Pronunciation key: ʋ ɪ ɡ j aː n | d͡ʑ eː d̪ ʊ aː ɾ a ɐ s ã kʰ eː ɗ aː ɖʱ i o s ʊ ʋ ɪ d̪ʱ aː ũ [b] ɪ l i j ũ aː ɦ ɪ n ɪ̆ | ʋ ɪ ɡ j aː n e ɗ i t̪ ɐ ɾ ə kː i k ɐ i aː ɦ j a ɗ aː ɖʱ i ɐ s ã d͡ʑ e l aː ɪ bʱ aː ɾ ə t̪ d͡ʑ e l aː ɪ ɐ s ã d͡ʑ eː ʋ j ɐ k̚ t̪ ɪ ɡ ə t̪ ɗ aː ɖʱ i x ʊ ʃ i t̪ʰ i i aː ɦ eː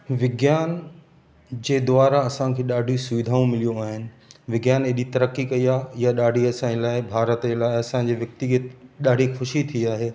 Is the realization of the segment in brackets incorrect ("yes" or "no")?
yes